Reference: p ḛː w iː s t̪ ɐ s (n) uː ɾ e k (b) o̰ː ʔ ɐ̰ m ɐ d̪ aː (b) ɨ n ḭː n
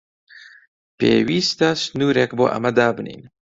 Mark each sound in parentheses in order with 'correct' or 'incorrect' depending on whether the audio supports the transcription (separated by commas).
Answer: correct, correct, correct